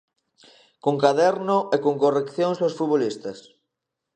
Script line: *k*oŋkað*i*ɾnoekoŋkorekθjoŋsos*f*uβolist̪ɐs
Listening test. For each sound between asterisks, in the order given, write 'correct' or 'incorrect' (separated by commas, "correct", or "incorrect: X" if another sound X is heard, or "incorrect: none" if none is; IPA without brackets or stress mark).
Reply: correct, incorrect: ɛ, correct